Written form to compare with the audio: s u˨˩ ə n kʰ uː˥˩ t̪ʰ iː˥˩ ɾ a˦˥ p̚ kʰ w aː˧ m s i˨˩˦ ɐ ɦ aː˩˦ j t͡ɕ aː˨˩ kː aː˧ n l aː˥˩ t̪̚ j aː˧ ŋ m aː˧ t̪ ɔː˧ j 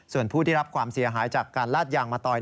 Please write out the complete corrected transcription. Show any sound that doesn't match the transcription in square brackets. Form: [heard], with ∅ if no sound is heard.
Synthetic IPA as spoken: s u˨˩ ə n [pʰ] uː˥˩ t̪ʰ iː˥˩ ɾ a˦˥ p̚ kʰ w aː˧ m s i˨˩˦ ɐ ɦ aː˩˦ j t͡ɕ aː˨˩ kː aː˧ n l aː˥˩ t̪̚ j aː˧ ŋ m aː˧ t̪ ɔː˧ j